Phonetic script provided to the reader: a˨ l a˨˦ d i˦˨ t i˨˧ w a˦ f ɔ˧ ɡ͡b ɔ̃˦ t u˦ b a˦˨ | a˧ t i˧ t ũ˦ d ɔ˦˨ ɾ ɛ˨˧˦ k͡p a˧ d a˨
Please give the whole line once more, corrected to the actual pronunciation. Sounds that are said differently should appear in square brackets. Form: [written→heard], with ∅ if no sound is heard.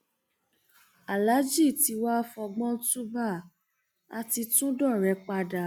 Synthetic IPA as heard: a˨ l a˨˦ [d→d͡ʒ] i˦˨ t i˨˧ w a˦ f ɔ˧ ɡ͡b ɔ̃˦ t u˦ b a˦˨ | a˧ t i˧ t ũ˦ d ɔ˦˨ ɾ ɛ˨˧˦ k͡p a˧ d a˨